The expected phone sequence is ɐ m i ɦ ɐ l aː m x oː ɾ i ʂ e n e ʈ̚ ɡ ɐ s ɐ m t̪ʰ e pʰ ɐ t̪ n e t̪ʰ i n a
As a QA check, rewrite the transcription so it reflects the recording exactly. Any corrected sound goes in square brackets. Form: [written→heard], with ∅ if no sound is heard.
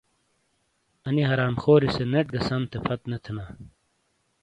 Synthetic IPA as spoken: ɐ [m→n] i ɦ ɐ [l→ɾ] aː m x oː ɾ i [ʂ→s] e n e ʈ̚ ɡ ɐ s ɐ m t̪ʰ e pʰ ɐ t̪ n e t̪ʰ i n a